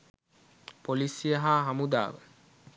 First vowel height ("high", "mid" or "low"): mid